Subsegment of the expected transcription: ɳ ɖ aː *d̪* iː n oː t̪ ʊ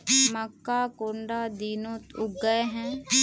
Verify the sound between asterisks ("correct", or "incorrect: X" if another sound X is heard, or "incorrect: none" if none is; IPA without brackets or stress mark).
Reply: correct